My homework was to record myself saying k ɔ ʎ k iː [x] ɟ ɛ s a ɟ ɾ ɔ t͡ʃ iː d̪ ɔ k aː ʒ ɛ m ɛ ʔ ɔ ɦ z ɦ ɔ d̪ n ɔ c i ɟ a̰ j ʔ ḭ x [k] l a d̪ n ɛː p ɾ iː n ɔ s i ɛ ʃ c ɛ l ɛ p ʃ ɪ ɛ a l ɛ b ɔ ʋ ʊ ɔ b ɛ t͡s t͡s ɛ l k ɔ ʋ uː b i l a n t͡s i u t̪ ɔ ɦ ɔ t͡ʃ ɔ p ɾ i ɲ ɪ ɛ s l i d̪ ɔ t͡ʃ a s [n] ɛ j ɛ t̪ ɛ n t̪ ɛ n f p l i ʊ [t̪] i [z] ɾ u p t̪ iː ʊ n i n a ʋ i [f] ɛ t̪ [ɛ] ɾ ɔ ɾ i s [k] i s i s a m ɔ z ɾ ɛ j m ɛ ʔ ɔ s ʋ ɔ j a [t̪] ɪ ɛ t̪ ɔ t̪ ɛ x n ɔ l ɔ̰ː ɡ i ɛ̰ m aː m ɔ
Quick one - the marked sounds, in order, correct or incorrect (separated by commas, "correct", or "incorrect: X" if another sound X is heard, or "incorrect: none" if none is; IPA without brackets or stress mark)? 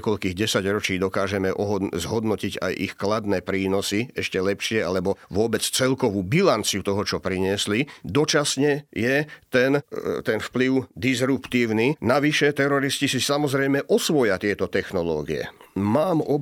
incorrect: ɣ, correct, incorrect: ɲ, incorrect: d̪, correct, incorrect: ʃ, correct, incorrect: c, correct